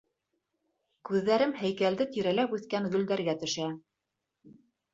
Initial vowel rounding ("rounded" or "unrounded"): rounded